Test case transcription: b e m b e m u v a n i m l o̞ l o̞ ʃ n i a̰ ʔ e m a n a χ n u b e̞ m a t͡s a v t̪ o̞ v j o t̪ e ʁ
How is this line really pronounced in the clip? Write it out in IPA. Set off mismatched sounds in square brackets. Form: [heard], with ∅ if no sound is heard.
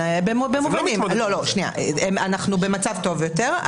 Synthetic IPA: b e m b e m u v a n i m l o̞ l o̞ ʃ n i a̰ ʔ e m a n a χ n u b e̞ m a t͡s a v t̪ o̞ v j o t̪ e ʁ